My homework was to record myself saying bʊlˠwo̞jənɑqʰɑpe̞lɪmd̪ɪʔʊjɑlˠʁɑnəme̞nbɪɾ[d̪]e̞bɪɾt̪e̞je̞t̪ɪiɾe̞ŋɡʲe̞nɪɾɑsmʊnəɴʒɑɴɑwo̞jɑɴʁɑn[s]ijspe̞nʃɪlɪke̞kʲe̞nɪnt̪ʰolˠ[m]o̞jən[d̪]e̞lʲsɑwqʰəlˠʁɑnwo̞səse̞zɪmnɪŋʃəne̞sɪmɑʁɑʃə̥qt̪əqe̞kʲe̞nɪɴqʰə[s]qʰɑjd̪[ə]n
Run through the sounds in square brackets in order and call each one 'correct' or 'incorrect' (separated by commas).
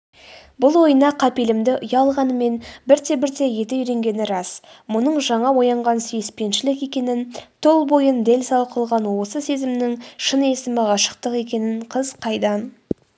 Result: incorrect, correct, incorrect, correct, incorrect, incorrect